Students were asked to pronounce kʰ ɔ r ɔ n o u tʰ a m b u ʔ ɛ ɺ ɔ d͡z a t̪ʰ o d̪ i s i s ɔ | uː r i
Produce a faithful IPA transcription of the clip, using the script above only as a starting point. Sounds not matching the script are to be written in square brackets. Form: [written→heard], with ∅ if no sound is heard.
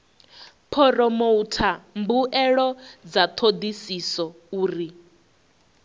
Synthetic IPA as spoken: [kʰ→pʰ] ɔ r ɔ [n→m] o u tʰ a m b u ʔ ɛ ɺ ɔ d͡z a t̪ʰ o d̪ i s i s ɔ | uː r i